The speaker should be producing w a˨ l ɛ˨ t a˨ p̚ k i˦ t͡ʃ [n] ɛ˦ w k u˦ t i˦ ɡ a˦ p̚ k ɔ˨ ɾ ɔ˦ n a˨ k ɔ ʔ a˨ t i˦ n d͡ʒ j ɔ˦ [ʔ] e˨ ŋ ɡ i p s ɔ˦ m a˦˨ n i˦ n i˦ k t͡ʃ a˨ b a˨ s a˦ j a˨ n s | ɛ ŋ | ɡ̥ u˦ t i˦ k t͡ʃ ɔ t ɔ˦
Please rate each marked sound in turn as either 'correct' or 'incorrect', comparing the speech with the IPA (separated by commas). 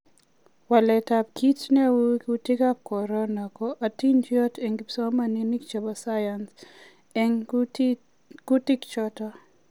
correct, incorrect